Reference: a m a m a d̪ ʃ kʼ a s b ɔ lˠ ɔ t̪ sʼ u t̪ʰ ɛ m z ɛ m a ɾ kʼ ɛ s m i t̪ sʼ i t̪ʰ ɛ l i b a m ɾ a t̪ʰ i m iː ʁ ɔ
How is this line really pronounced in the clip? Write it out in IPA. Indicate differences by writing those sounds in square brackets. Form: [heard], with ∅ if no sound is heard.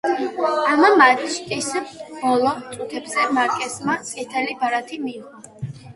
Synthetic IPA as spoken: a m a m a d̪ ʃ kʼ [i] s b ɔ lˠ ɔ t̪ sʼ u t̪ʰ ɛ [b] z ɛ m a ɾ kʼ ɛ s m [a] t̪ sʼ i t̪ʰ ɛ l i b a [∅] ɾ a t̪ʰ i m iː ʁ ɔ